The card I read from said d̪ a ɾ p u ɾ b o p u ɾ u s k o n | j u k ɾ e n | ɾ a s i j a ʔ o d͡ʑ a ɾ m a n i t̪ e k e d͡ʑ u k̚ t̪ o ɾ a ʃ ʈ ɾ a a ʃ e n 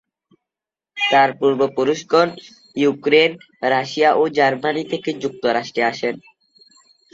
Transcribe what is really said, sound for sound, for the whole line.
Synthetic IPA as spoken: t̪ a ɾ p u ɾ b o p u ɾ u ʃ k o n | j u k ɾ e n | ɾ a ʃ i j a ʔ o d͡ʑ a ɾ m a n i t̪ʰ e k e d͡ʑ u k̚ t̪ o ɾ a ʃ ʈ ɾ e a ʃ e n